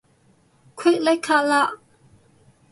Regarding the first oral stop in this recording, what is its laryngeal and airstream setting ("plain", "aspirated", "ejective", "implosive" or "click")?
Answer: aspirated